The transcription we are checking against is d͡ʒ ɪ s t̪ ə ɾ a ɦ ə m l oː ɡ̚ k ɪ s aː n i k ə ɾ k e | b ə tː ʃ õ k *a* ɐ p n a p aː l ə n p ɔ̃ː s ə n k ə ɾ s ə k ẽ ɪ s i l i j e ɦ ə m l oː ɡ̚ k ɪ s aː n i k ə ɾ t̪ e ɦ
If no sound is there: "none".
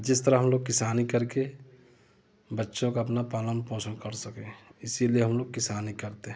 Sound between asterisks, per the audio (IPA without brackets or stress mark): a